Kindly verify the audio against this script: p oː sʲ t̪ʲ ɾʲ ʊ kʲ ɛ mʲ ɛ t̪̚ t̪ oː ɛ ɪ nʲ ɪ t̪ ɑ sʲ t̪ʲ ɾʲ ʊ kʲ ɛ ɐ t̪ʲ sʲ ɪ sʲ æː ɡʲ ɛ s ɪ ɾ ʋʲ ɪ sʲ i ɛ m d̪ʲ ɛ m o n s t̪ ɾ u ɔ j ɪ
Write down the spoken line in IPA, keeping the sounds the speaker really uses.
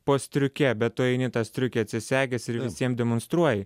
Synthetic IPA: p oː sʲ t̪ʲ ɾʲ ʊ kʲ ɛ bʲ ɛ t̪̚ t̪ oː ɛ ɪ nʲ ɪ t̪ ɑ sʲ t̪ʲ ɾʲ ʊ kʲ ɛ ɐ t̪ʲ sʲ ɪ sʲ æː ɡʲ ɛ s ɪ ɾ ʋʲ ɪ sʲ i ɛ m d̪ʲ ɛ m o n s t̪ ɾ u ɔ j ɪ